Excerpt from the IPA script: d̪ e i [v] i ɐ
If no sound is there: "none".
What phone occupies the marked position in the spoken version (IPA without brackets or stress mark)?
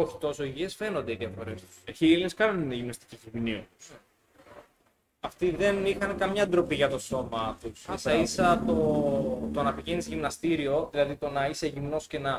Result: ð